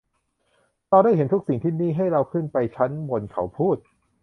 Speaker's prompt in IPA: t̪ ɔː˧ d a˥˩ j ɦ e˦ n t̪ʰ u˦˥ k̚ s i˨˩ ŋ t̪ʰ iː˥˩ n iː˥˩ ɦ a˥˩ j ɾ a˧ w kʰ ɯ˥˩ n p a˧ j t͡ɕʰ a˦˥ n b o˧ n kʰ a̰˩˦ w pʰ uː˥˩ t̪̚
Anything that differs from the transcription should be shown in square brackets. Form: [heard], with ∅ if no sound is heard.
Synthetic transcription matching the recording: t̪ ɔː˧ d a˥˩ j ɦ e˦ n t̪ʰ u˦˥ k̚ s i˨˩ ŋ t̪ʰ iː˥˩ n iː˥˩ ɦ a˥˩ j ɾ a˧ w kʰ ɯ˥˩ n p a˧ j t͡ɕʰ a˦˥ n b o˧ n kʰ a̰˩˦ w pʰ uː˥˩ t̪̚